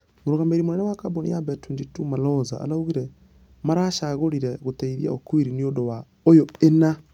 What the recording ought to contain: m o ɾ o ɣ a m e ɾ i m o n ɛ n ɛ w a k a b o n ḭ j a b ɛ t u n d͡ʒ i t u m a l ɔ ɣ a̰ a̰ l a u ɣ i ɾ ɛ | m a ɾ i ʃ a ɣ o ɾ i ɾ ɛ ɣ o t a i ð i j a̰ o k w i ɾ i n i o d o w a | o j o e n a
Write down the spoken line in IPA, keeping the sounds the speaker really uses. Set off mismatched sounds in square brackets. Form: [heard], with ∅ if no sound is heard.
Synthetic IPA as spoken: m o ɾ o ɣ a m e ɾ i m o n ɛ n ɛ w a k a b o n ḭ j a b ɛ t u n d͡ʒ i t u m a l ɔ [z] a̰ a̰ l a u ɣ i ɾ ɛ | m a ɾ [a] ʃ a ɣ o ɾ i ɾ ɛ ɣ o t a i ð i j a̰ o k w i ɾ i n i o d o w a | o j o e n a